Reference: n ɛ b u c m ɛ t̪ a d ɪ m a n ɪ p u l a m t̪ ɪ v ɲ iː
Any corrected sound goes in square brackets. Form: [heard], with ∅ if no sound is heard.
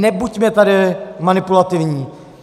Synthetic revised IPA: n ɛ b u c m ɛ t̪ a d ɪ m a n ɪ p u l a [∅] t̪ ɪ v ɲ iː